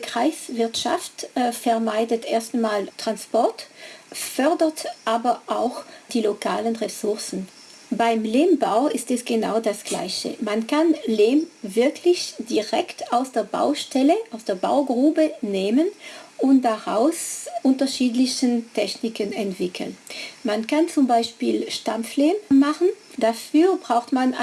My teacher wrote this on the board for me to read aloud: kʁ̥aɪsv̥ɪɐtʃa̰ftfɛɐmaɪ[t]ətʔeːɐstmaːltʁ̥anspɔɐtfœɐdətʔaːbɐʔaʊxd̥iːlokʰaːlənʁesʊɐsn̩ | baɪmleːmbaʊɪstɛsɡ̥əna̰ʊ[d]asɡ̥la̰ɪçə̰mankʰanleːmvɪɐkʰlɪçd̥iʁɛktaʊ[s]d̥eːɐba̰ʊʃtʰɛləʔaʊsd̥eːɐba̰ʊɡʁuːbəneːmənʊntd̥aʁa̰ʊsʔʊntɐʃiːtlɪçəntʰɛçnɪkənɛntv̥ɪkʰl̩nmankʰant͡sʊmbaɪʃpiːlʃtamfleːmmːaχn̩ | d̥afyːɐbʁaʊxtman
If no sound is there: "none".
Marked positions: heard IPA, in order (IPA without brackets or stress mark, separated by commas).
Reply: d, d, s